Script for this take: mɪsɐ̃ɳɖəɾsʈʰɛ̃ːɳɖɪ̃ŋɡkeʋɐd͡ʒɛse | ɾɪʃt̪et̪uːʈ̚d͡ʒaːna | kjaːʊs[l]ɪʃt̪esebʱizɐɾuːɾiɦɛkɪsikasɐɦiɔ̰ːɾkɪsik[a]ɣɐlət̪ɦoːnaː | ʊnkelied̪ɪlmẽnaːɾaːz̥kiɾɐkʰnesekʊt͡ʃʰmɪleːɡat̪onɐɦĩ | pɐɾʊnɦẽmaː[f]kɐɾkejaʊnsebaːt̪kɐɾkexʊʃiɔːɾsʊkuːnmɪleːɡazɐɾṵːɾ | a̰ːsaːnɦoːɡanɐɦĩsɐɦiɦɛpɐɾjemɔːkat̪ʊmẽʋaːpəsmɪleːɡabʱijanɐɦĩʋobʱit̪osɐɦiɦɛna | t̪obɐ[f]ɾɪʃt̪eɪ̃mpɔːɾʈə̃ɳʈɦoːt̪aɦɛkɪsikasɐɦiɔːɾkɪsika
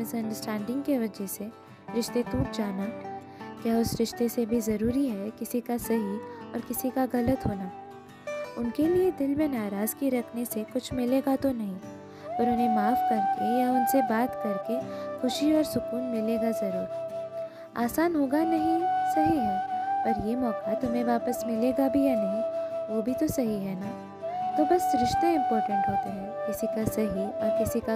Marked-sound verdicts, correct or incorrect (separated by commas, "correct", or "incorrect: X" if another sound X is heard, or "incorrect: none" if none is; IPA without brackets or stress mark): incorrect: ɾ, correct, correct, incorrect: s